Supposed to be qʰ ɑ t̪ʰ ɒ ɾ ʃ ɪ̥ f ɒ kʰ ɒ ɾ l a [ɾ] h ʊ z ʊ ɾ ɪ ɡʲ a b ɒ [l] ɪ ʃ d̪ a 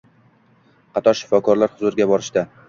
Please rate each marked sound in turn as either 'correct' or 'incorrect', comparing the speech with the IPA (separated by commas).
correct, incorrect